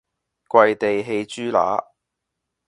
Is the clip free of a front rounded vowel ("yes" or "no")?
no